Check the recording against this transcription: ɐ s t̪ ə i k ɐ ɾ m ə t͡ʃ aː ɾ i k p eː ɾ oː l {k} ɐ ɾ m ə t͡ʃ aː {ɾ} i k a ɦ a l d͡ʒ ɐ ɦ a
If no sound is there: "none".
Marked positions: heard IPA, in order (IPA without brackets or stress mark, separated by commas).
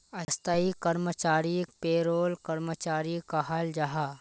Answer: k, ɾ